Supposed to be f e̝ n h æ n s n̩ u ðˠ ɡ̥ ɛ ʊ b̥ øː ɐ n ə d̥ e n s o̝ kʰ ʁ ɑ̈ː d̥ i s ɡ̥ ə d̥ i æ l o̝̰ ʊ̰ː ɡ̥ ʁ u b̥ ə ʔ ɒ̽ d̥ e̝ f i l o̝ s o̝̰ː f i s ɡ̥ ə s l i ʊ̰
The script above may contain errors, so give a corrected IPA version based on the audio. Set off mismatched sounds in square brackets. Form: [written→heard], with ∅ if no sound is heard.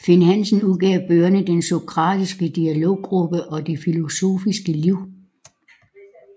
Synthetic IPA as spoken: f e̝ n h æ n s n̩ u ðˠ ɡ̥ ɛ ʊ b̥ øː ɐ n ə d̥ e n s o̝ kʰ ʁ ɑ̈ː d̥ i s ɡ̥ ə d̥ i æ l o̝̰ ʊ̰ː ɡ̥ ʁ u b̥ ə ʔ ɒ̽ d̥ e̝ f i l o̝ s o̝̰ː f i s ɡ̥ ə [s→∅] l i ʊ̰